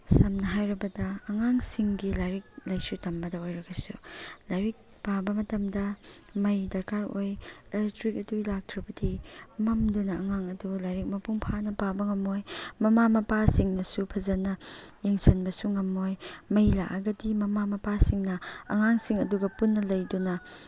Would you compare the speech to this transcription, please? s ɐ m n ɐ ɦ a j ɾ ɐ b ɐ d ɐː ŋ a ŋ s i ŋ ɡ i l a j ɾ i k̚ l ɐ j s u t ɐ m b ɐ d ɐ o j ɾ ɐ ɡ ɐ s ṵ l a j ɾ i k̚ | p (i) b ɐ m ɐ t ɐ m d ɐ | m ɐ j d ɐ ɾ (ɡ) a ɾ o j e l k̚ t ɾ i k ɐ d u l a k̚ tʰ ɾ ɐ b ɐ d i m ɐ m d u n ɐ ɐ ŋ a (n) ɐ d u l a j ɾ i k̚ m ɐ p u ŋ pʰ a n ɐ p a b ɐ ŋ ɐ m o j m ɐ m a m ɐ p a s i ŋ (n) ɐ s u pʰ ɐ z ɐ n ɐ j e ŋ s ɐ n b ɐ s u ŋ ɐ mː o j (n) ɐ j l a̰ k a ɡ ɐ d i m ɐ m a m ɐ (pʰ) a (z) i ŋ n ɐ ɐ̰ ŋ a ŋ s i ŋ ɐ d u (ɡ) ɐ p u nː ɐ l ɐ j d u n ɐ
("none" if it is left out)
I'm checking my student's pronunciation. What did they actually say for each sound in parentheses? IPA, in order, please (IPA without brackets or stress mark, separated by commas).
a, k, ŋ, n, m, p, s, ɡ